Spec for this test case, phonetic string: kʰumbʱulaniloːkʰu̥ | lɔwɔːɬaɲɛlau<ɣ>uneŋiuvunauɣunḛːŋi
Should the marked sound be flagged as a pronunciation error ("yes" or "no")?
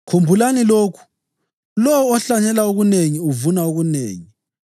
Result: no